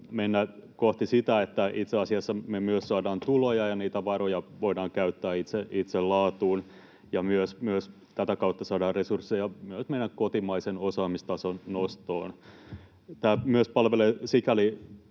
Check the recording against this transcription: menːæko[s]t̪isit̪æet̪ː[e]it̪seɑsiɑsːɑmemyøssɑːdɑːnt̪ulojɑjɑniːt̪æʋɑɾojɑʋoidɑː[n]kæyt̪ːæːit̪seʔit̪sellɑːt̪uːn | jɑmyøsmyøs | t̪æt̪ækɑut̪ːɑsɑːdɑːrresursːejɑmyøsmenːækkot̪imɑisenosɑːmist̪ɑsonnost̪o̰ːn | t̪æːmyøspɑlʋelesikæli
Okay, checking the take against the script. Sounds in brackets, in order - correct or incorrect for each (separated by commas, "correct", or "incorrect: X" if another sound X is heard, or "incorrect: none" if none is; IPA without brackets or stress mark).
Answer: incorrect: h, incorrect: æ, incorrect: ŋ